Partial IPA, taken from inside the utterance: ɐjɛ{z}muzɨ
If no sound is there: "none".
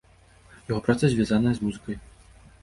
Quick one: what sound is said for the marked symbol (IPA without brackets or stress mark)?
z